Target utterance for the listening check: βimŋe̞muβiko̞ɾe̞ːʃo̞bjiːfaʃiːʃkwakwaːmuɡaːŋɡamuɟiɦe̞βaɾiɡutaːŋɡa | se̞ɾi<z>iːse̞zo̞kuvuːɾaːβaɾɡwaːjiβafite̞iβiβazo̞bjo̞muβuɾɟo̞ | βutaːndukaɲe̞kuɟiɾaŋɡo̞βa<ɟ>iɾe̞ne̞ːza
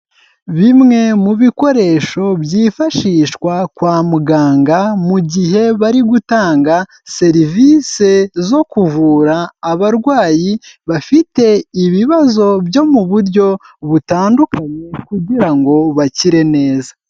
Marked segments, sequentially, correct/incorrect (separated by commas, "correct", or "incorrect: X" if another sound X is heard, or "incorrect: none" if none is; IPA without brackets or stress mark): incorrect: v, incorrect: c